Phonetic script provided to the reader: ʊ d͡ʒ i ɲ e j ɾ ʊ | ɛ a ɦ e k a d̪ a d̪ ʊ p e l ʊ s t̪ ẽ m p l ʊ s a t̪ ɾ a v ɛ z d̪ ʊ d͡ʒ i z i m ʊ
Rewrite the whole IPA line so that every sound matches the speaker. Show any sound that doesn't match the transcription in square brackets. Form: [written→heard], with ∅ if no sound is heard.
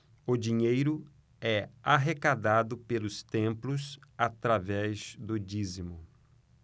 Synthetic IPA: ʊ d͡ʒ i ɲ e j ɾ ʊ | ɛ a ɦ e k a d̪ a d̪ ʊ p e l ʊ s t̪ ẽ m p l ʊ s a t̪ ɾ a v ɛ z d̪ ʊ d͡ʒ i z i m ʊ